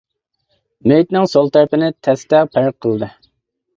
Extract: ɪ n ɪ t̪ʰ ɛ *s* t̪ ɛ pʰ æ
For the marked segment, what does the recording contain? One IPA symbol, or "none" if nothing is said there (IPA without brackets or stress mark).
s